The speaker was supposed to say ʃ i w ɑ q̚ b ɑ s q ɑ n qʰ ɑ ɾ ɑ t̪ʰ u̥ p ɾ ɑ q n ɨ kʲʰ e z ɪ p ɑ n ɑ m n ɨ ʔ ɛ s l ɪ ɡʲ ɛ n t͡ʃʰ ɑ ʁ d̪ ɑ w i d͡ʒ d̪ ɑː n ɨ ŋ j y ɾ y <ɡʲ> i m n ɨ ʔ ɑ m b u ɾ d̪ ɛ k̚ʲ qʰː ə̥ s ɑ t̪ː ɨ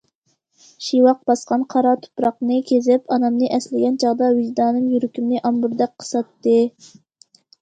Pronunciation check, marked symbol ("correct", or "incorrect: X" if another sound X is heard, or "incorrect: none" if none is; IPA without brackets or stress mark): incorrect: kʲ